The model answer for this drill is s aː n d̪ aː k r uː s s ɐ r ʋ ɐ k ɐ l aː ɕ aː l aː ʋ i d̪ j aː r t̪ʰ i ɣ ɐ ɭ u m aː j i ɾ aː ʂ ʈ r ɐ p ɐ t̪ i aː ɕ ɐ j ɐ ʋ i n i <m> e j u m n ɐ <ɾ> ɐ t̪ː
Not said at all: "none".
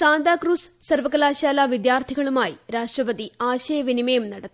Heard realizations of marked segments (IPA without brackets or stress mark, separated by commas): m, ɽ